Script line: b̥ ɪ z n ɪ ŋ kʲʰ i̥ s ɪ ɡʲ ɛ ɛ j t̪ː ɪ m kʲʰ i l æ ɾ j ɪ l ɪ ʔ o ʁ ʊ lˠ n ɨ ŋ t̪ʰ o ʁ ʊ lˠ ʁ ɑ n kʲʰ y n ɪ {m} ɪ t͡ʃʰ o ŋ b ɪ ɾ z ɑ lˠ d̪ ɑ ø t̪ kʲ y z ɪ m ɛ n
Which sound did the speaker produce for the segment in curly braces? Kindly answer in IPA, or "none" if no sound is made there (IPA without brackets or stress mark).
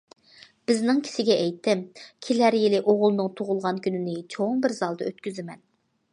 n